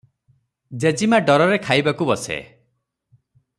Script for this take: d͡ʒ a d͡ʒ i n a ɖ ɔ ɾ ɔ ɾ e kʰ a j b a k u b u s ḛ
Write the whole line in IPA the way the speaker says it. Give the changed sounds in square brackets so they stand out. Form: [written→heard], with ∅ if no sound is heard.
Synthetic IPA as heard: d͡ʒ [a→e] d͡ʒ i [n→m] a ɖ ɔ ɾ ɔ ɾ e kʰ a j b a k u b [u→ɔ] s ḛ